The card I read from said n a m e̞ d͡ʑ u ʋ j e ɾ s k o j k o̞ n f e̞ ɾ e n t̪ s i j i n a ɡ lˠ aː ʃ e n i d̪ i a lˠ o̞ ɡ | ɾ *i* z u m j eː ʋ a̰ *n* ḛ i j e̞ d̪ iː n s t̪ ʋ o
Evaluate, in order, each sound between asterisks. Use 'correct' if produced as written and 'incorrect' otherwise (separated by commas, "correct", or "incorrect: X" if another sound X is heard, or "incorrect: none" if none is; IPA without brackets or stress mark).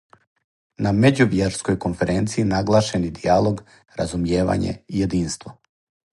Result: incorrect: a, incorrect: ɲ